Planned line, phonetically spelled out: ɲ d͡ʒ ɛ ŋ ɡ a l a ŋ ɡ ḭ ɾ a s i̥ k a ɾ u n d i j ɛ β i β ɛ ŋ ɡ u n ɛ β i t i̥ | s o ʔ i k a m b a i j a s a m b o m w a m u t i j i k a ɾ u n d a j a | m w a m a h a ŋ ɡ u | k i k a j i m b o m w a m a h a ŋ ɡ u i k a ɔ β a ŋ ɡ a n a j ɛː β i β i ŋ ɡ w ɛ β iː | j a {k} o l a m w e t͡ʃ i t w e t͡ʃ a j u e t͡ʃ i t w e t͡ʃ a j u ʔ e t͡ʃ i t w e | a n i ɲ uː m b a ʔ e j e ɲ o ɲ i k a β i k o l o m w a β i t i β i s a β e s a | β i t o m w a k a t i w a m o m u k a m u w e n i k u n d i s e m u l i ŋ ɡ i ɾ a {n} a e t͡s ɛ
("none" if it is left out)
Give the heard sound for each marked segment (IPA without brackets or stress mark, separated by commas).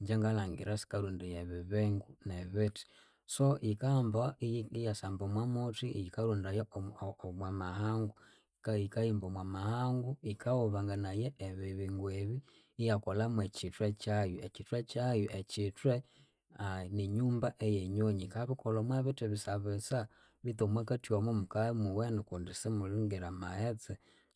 k, m